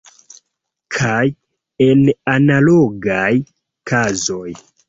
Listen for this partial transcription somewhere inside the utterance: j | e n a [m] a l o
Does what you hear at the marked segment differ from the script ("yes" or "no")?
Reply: yes